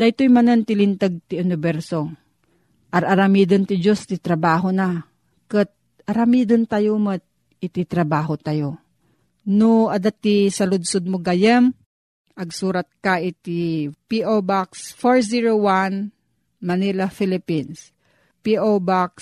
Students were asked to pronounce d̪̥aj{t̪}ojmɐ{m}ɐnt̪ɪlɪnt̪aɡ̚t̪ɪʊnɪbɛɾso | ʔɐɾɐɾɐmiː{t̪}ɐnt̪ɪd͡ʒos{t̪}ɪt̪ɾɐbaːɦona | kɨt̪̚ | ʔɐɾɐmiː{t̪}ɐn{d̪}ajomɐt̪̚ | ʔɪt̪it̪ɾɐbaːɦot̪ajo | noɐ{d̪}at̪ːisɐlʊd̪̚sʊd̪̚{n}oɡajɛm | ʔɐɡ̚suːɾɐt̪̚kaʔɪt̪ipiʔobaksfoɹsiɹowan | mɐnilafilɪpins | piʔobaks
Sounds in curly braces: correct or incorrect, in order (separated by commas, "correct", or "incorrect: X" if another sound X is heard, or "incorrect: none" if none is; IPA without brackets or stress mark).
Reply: correct, incorrect: n, incorrect: d̪, correct, incorrect: d̪, incorrect: t̪, correct, incorrect: m